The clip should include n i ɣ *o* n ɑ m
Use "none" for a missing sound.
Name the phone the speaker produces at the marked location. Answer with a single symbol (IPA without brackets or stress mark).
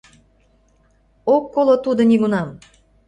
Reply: u